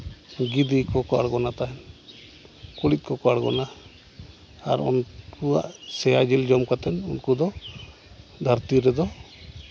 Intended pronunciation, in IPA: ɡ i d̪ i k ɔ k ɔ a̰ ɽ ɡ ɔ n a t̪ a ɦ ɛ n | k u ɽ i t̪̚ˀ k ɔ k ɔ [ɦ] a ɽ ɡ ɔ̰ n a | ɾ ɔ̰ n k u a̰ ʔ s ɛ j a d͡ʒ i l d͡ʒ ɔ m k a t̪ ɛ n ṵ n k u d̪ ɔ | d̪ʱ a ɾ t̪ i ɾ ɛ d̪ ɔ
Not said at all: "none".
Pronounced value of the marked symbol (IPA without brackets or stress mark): none